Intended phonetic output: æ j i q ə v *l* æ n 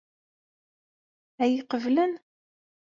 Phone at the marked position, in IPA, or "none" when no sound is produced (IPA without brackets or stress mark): l